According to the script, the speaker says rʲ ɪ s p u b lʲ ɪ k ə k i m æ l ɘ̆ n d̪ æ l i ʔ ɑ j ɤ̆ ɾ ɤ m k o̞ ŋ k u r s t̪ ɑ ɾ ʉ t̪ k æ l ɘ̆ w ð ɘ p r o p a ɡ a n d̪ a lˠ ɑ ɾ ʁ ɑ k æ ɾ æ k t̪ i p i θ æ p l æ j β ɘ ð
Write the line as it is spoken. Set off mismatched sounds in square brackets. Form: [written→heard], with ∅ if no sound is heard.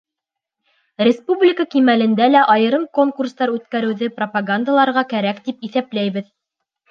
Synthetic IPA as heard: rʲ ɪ s p u b lʲ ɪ k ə k i m æ l ɘ̆ n d̪ æ l [i→æ] ʔ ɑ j ɤ̆ ɾ ɤ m k o̞ ŋ k u r s t̪ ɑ ɾ ʉ t̪ k æ [l→ɾ] ɘ̆ w ð ɘ p r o p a ɡ a n d̪ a lˠ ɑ ɾ ʁ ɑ k æ ɾ æ k t̪ i p i θ æ p l æ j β ɘ ð